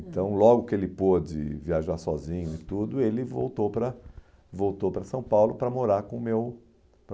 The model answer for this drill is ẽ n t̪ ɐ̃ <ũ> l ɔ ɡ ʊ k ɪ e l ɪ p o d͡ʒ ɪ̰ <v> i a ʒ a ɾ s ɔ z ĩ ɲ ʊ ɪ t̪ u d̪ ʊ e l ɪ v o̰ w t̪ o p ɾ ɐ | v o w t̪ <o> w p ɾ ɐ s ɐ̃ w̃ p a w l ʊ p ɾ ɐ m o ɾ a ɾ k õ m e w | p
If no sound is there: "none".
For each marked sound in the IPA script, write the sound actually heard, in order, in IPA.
w̃, v, o

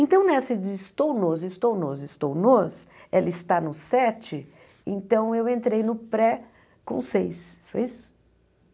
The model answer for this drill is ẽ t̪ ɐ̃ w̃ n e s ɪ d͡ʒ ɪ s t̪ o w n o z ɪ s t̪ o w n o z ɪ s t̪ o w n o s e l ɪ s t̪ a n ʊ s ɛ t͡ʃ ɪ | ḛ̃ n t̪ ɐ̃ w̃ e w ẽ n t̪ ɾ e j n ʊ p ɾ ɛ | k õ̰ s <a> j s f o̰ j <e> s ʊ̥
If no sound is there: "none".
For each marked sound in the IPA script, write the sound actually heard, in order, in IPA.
e, i

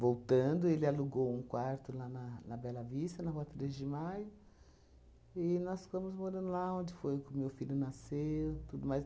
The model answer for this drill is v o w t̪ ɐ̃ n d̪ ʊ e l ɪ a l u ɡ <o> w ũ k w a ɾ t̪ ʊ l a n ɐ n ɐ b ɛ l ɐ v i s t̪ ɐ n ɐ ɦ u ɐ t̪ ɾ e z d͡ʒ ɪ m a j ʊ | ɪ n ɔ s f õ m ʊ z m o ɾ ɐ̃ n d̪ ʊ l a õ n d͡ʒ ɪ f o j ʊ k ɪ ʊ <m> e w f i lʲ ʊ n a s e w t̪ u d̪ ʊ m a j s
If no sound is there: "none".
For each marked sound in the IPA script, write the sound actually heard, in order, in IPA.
o, m

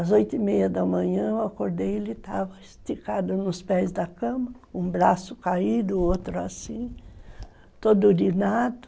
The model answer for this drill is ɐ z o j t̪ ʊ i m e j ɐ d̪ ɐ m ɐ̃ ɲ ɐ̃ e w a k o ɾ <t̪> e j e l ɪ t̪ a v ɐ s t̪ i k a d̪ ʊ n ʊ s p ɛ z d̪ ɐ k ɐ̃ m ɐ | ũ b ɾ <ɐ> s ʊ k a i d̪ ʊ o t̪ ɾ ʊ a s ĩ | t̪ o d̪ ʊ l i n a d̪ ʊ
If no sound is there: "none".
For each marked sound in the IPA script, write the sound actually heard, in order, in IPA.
d̪, a

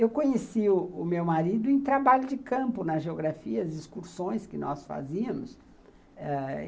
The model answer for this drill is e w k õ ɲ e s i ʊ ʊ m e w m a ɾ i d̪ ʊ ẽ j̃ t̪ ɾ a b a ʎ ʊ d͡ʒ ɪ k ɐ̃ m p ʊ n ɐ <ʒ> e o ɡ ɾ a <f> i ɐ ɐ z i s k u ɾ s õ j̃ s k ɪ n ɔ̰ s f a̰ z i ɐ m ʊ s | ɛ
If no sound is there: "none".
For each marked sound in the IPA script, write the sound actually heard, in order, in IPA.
ʒ, f

